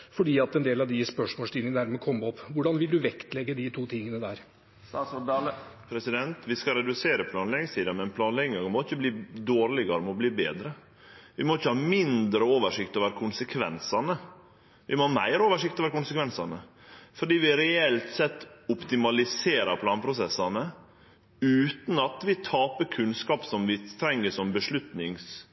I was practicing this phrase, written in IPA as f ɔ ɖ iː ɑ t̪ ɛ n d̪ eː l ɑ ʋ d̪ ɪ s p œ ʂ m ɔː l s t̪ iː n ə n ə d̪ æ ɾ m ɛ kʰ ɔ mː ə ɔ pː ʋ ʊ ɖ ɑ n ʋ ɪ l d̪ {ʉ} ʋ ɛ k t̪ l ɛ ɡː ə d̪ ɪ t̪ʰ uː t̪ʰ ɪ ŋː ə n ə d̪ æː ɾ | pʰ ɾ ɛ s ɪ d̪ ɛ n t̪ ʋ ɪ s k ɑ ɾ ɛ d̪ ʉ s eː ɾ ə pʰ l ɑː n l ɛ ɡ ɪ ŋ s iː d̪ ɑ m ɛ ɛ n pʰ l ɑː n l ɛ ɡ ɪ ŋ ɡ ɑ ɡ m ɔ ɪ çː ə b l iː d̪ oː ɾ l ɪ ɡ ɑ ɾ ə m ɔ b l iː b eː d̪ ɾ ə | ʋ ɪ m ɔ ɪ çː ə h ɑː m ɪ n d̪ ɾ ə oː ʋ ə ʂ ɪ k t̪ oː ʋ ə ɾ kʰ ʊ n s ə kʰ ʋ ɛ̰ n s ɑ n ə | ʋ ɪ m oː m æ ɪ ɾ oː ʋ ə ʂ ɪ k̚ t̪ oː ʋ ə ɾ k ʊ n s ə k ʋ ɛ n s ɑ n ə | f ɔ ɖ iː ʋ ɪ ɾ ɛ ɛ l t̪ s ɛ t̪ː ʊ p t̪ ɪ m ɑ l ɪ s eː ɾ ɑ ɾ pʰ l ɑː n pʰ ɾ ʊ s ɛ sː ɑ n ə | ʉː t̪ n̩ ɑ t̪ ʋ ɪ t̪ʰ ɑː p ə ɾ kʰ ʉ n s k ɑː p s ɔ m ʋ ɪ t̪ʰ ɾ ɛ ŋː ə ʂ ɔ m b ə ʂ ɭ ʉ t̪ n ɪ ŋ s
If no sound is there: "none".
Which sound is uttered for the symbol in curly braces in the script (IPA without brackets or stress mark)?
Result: ʉ